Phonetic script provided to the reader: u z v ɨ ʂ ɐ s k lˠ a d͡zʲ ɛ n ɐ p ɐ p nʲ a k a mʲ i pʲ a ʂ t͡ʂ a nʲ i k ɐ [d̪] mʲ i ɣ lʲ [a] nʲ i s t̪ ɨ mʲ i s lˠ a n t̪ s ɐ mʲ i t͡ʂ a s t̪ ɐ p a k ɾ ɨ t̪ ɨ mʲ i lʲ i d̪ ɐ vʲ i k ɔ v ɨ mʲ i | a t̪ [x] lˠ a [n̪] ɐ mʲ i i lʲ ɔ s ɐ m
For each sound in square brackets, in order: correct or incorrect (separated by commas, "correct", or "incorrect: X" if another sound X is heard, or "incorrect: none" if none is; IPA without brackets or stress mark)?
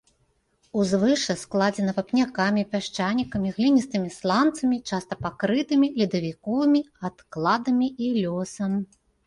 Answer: incorrect: none, incorrect: i, incorrect: k, incorrect: d̪